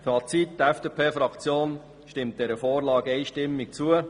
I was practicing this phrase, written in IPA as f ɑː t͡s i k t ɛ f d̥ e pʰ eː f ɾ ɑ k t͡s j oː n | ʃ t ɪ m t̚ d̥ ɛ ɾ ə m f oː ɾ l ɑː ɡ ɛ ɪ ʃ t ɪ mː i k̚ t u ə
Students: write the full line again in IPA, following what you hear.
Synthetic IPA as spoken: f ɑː t͡s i t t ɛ f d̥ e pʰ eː f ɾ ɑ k t͡s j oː n | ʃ t ɪ m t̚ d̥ ɛ ɾ ə f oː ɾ l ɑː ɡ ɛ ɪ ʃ t ɪ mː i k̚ t͡s u ə